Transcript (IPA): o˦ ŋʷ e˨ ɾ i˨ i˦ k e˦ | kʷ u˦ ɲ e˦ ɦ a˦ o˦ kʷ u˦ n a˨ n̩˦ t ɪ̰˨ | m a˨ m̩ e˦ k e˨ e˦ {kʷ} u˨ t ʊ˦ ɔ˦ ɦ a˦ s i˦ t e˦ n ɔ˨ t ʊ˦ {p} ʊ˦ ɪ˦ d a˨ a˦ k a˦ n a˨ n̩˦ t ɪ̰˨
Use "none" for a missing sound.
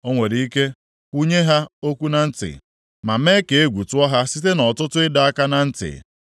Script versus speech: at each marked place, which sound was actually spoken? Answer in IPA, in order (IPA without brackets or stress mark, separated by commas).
ɡʷ, t